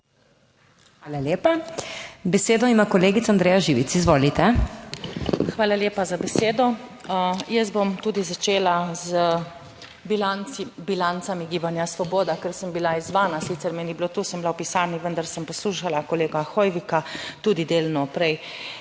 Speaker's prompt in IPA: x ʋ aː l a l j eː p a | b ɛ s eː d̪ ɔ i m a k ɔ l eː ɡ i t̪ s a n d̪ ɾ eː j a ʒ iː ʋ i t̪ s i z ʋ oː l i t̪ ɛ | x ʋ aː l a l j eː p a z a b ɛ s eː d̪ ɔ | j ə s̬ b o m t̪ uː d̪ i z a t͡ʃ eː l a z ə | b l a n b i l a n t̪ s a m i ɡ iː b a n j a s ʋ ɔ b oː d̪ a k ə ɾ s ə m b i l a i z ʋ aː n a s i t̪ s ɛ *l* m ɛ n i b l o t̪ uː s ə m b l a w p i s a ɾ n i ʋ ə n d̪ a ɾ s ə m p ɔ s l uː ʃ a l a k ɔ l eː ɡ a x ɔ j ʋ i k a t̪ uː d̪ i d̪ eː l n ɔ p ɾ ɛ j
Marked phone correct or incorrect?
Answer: incorrect: ɾ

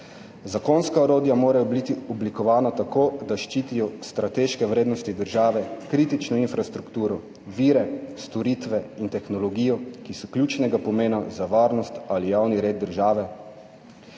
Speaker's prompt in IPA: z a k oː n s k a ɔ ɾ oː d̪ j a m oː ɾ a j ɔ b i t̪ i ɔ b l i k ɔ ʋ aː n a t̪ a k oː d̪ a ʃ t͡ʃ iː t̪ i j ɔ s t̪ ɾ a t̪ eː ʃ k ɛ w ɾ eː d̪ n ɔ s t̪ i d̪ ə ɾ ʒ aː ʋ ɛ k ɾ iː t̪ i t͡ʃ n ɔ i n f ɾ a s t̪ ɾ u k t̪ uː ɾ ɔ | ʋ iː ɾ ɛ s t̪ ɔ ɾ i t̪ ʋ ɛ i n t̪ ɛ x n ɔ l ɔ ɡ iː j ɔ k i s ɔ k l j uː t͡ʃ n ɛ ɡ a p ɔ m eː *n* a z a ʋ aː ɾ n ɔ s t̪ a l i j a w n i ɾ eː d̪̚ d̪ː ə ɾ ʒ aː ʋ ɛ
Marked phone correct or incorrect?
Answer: correct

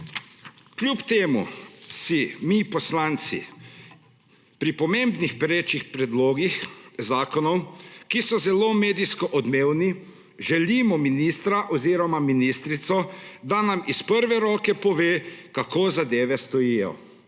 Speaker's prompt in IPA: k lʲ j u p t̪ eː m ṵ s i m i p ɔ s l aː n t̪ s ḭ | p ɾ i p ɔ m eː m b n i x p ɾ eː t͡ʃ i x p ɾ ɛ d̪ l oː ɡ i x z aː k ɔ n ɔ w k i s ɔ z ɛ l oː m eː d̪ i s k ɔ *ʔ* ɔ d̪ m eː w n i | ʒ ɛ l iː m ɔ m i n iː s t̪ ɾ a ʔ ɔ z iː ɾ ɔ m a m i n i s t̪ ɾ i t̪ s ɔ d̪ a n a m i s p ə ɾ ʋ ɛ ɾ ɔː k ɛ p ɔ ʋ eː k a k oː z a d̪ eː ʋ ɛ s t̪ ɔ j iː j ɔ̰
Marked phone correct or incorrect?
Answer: correct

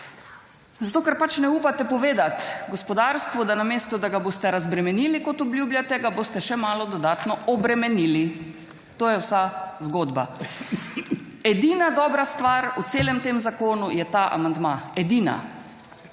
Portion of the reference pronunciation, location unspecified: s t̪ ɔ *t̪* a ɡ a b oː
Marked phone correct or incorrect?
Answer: incorrect: d̪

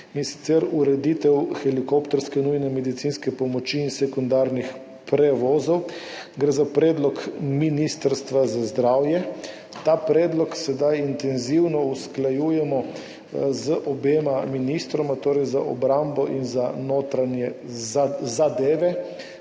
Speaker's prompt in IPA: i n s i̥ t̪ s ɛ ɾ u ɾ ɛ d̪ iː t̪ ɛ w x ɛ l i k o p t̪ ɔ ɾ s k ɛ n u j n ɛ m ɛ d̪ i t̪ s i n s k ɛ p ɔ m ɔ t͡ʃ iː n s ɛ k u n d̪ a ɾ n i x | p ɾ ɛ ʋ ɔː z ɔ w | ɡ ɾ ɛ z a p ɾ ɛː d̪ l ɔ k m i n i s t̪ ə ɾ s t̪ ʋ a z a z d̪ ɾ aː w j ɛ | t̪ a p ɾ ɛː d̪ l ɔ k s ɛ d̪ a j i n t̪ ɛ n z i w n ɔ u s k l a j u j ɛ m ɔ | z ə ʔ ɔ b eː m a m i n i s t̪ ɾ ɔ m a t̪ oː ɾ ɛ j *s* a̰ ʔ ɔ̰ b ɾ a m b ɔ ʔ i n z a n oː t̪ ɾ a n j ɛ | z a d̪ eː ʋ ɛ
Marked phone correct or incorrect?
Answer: incorrect: z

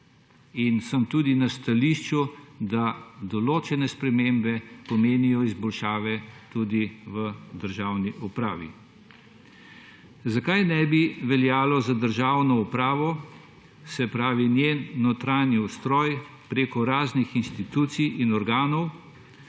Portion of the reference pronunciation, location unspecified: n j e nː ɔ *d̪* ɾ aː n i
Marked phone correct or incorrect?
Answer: incorrect: t̪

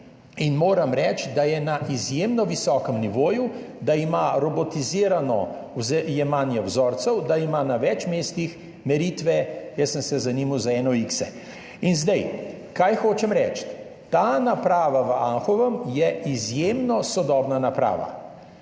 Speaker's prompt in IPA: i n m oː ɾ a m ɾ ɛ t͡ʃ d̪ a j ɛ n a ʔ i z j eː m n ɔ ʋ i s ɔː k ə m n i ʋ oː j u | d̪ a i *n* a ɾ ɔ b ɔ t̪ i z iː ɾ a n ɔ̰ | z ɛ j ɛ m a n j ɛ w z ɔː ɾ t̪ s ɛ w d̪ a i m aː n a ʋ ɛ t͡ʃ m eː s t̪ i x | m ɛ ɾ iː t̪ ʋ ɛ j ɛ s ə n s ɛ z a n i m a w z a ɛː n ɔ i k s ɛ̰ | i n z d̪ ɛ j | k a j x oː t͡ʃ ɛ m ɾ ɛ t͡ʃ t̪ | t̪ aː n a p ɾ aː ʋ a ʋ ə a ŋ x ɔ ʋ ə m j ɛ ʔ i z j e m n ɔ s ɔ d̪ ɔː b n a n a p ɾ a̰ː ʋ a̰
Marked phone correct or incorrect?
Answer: incorrect: m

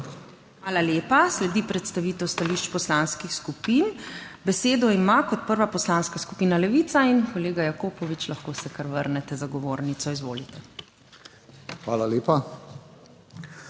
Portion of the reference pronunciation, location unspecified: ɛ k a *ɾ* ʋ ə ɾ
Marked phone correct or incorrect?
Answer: correct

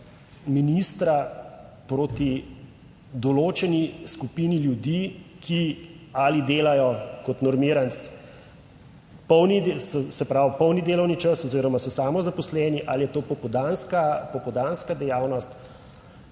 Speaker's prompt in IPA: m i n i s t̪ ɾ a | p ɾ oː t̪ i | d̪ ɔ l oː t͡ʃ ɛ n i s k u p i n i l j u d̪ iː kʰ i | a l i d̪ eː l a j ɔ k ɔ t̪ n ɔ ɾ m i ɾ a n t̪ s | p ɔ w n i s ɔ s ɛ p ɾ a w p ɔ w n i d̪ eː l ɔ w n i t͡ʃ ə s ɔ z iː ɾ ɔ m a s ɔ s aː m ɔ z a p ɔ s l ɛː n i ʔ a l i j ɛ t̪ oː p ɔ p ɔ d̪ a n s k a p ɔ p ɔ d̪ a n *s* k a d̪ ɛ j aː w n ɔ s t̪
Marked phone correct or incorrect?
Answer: correct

